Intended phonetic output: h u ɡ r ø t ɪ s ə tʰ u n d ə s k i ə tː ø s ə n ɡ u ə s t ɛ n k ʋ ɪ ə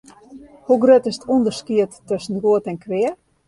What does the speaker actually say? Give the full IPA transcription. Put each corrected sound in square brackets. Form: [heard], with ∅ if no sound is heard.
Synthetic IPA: h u ɡ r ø t ɪ s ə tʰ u n d ə s k i ə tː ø s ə n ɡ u ə [∅] t ɛ n k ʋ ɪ ə